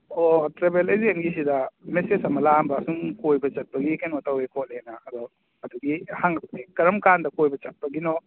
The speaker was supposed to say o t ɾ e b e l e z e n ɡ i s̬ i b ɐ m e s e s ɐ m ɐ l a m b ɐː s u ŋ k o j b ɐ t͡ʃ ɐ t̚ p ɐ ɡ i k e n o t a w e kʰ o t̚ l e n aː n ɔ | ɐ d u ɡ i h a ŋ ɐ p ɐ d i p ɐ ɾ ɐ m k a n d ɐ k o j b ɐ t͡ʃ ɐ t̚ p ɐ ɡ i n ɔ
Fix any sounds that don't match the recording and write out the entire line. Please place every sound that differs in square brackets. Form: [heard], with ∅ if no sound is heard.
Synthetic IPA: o t ɾ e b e l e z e n ɡ i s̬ i [d] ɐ m e s e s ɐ m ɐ l a m b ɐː s u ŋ k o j b ɐ t͡ʃ ɐ t̚ p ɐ ɡ i k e n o t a w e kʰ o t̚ l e n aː [d] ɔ | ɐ d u ɡ i h a ŋ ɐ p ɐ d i [k] ɐ ɾ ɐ m k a n d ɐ k o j b ɐ t͡ʃ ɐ t̚ p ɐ ɡ i n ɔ